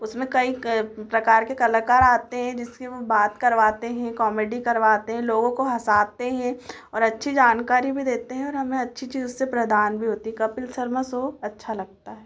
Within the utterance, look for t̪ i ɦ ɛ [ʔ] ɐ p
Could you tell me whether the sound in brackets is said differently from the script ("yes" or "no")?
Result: yes